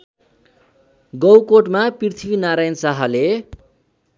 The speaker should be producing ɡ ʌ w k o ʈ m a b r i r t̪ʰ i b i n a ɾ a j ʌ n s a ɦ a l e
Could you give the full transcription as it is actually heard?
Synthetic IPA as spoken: ɡ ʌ w k o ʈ m a p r i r t̪ʰ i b i n a ɾ a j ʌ n s a ɦ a l e